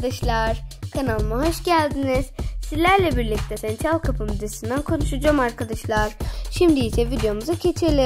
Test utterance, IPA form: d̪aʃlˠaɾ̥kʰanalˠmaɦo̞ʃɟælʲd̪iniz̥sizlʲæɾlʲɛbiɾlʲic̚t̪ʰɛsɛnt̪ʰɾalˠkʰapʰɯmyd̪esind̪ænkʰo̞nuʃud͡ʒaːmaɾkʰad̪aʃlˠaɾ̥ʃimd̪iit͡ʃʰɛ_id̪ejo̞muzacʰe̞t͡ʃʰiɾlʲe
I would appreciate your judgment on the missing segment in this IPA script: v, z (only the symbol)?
v